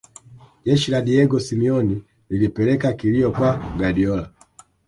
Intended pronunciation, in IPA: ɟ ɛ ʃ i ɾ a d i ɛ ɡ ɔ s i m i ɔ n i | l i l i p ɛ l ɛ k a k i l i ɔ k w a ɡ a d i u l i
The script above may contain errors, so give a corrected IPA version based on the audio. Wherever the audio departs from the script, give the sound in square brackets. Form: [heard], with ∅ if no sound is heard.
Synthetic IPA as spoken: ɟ ɛ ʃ i [l] a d i ɛ ɡ ɔ s i m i ɔ n i | l i l i p ɛ l ɛ k a k i l i ɔ k w a ɡ a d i [ɔ] l [a]